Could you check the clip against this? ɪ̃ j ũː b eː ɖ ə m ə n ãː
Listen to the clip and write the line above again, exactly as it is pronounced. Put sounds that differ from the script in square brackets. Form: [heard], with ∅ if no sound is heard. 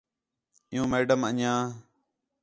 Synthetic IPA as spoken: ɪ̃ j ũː [m] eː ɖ ə m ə [ɲ] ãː